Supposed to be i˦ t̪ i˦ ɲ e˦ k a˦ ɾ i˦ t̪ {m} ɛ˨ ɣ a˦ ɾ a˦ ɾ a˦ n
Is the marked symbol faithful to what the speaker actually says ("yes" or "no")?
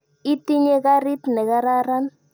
no